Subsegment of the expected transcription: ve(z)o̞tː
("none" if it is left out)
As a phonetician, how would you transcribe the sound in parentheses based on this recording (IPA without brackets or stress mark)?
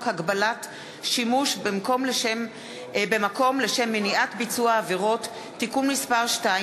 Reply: ʁ